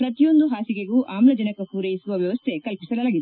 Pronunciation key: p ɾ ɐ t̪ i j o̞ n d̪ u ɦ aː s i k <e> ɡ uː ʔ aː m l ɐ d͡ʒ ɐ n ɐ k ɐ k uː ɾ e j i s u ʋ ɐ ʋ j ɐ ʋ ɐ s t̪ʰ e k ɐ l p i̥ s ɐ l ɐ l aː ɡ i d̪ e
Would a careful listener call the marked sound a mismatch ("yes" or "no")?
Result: no